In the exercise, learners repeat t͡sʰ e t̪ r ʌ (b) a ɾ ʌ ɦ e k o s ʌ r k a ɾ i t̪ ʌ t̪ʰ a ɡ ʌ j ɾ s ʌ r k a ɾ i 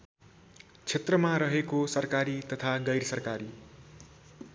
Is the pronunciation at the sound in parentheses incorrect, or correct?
incorrect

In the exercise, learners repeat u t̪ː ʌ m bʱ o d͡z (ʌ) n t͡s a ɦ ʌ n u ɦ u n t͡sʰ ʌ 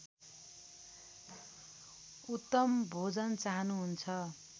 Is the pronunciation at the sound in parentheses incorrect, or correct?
correct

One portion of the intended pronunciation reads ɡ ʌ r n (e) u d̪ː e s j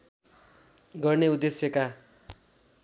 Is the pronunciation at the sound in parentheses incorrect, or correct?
correct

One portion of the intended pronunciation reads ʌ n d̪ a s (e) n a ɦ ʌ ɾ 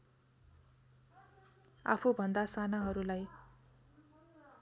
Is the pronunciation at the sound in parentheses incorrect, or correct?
incorrect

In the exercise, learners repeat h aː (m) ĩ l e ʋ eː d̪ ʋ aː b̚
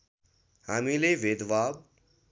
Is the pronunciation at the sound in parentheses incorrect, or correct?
correct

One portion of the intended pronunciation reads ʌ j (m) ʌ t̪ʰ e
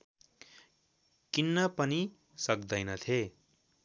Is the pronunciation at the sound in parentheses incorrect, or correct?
incorrect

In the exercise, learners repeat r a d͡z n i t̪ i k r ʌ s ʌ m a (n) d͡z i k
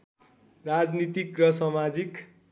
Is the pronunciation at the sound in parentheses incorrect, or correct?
incorrect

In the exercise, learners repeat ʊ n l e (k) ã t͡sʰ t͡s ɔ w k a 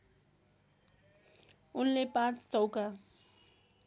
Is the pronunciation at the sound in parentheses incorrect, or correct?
incorrect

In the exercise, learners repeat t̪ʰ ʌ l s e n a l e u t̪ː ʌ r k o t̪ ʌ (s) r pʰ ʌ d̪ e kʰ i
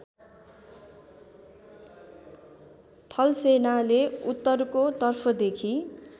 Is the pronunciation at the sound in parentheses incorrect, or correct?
incorrect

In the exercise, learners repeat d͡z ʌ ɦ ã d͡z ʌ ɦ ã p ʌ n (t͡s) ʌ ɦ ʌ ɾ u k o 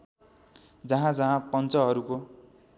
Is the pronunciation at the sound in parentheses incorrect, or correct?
correct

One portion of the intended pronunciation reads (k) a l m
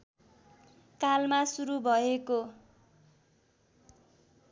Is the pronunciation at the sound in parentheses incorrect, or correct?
correct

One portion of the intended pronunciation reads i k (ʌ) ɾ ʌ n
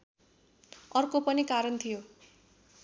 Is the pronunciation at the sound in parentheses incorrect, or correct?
incorrect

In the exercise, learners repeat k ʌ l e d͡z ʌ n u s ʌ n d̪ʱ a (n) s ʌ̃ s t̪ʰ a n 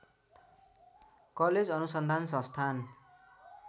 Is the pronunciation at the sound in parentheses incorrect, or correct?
correct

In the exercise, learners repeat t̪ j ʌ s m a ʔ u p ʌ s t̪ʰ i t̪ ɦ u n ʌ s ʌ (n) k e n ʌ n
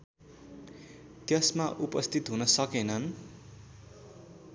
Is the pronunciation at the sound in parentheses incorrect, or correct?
incorrect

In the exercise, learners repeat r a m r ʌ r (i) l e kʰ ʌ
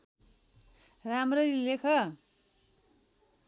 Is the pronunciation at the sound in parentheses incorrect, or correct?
correct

